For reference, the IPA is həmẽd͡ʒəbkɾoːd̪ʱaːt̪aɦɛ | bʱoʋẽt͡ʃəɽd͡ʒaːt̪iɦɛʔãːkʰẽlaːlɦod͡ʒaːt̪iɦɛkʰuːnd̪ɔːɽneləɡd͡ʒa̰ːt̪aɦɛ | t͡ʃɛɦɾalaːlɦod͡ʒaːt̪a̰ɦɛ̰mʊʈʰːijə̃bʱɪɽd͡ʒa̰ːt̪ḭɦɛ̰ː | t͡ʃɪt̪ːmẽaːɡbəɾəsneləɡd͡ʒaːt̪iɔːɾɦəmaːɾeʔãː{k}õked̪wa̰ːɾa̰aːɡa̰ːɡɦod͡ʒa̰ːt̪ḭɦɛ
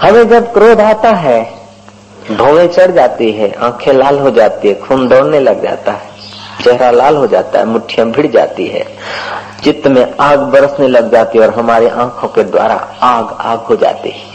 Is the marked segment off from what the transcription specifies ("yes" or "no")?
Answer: yes